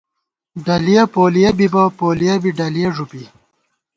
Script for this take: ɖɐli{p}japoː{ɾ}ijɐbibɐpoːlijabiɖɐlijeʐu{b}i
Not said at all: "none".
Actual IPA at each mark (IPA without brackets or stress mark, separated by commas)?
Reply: none, l, p